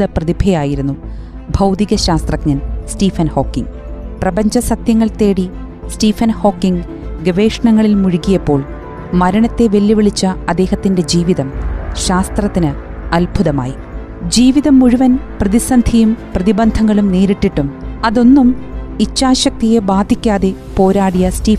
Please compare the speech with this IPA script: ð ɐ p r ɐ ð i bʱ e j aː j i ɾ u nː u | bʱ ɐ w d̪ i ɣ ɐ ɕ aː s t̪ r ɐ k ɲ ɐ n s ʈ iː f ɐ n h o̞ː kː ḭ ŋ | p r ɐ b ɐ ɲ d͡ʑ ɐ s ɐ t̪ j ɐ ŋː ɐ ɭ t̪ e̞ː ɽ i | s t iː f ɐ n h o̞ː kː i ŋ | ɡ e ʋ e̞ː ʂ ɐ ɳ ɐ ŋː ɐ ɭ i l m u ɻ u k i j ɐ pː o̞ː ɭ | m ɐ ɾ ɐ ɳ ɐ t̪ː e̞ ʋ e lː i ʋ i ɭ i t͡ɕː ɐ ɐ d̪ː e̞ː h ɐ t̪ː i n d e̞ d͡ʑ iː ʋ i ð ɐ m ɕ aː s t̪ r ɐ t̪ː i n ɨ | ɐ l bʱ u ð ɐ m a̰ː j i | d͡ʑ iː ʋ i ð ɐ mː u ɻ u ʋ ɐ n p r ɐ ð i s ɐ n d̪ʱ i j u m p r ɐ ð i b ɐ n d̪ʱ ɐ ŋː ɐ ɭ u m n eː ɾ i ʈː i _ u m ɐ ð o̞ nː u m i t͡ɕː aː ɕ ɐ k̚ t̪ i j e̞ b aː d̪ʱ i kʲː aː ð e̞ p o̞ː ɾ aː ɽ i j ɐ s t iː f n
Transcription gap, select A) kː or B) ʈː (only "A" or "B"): B